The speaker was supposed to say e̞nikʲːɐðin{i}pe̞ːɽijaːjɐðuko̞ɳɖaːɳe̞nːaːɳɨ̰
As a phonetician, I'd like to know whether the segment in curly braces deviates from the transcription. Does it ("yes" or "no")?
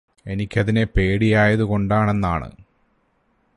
yes